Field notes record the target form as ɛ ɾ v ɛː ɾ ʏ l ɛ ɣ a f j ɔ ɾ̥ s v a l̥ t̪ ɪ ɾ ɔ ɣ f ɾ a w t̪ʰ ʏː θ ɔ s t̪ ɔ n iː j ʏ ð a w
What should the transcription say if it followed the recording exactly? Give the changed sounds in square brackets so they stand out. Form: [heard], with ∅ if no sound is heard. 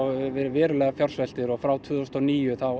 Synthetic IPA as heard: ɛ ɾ v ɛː ɾ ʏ l ɛ ɣ a f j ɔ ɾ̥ s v [ɛ] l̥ t̪ ɪ ɾ ɔ ɣ f ɾ a w t̪ʰ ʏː [ð] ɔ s t̪ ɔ n iː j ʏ [θ] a w